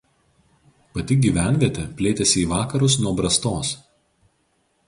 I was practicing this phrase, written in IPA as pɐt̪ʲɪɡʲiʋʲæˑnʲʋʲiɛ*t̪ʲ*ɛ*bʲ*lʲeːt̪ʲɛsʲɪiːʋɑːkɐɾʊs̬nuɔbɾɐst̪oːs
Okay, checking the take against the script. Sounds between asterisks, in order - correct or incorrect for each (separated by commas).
correct, incorrect